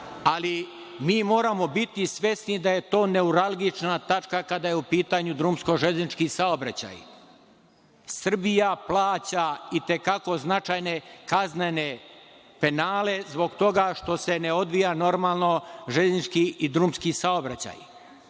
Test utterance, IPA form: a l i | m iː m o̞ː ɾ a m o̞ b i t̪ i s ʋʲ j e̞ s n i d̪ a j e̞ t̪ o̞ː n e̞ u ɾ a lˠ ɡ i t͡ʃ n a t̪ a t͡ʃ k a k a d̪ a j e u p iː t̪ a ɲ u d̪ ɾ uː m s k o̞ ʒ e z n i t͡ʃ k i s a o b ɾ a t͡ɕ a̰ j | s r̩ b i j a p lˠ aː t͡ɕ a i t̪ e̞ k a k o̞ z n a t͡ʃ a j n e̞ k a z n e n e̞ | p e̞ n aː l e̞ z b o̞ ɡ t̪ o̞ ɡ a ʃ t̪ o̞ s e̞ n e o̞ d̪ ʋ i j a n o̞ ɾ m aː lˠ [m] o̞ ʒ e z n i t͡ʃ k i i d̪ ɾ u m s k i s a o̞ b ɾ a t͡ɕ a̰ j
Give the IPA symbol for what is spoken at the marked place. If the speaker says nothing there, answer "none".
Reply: n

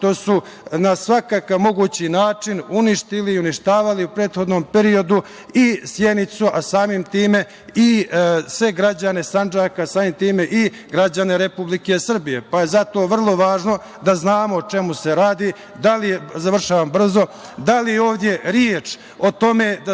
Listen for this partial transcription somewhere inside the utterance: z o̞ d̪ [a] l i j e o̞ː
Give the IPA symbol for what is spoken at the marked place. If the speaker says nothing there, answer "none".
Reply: a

